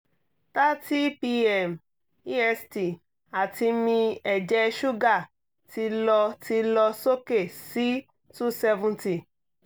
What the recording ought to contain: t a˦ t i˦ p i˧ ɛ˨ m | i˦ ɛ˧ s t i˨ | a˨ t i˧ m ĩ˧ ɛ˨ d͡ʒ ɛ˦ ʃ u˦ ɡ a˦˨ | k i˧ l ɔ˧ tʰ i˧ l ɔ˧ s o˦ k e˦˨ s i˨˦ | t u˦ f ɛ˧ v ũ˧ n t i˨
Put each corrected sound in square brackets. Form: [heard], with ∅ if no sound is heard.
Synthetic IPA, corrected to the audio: t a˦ t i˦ p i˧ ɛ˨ m | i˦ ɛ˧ s t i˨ | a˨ t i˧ m ĩ˧ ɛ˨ d͡ʒ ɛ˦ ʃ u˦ ɡ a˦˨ | [t] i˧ l ɔ˧ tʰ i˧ l ɔ˧ s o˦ k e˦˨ s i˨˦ | t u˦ [s] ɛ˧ v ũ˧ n t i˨